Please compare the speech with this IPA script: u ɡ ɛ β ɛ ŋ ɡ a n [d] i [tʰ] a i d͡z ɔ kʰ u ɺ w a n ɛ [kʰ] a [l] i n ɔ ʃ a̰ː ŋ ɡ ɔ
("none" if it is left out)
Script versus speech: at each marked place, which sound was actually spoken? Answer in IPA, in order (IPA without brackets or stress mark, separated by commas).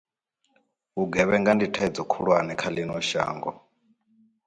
d, tʰ, kʰ, l